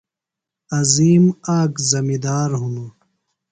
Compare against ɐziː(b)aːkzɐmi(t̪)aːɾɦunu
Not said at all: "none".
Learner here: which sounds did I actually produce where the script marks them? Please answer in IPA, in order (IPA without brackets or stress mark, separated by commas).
m, d̪